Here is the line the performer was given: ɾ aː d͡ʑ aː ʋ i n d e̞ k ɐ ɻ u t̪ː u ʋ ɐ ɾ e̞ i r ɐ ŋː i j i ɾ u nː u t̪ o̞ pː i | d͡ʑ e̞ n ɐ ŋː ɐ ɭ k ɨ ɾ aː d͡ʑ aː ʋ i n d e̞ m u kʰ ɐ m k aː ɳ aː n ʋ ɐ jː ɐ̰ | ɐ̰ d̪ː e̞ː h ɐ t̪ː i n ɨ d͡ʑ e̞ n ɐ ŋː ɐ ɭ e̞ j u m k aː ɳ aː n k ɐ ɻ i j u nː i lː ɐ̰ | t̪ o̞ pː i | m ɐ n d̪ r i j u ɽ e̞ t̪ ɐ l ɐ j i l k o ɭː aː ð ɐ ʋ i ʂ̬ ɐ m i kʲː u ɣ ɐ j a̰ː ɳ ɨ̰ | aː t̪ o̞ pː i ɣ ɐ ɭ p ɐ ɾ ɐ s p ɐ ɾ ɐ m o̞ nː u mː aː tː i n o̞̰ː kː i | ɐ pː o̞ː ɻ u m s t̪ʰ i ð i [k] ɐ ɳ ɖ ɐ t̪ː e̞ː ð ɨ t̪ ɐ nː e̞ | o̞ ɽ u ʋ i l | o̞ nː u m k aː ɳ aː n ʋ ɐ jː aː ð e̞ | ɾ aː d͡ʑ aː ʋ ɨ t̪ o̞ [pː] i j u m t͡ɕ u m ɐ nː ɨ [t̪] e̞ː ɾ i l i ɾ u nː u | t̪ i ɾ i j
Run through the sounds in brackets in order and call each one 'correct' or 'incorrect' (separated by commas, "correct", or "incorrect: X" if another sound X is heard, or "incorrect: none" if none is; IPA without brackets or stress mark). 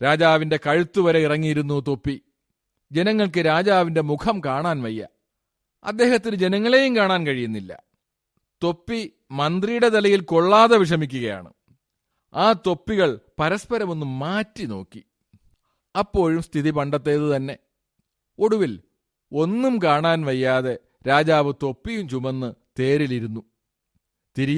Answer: incorrect: p, correct, correct